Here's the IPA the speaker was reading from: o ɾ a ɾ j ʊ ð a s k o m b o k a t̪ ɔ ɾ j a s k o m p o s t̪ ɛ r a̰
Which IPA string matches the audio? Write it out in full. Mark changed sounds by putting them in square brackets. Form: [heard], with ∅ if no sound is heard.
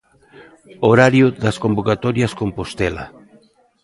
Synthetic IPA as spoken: o ɾ a ɾ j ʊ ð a s k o m b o k a t̪ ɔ ɾ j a s k o m p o s t̪ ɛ [l] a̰